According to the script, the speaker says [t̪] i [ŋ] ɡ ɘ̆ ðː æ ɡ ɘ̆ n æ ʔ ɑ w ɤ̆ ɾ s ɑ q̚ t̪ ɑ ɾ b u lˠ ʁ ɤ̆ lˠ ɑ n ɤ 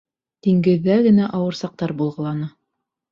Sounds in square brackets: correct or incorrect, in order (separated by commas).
correct, correct